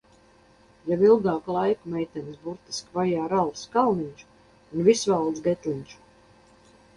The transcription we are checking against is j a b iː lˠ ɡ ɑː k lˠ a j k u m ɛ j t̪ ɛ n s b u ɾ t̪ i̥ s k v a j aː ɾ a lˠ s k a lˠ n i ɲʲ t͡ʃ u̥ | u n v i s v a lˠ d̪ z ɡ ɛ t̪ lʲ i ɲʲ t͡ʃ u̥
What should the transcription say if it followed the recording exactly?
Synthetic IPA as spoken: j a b i lˠ ɡ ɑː k lˠ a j k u m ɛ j t̪ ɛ n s b u ɾ t̪ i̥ s k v a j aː ɾ a lˠ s k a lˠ n i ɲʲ t͡ʃ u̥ | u n v i s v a lˠ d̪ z ɡ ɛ t̪ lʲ i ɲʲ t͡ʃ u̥